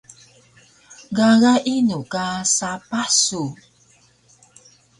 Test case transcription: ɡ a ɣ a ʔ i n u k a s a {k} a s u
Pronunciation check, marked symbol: incorrect: p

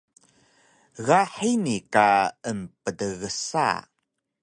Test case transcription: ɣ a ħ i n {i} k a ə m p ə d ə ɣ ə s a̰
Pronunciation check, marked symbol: correct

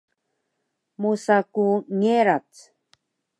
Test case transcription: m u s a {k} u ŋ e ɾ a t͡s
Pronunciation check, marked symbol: correct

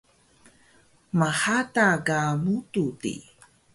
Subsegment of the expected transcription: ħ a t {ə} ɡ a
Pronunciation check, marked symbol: incorrect: a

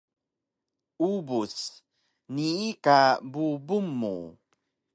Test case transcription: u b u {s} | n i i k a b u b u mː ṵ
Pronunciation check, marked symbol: correct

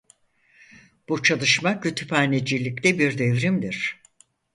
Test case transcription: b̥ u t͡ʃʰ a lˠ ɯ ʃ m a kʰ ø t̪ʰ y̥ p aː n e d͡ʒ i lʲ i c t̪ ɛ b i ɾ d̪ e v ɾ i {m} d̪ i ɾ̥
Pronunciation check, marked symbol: correct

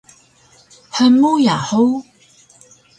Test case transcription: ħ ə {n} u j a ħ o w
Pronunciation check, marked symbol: incorrect: m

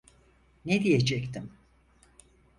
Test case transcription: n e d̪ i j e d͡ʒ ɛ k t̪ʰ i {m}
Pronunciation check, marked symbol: correct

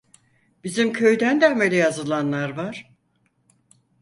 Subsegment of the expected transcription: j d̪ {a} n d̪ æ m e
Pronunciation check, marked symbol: incorrect: æ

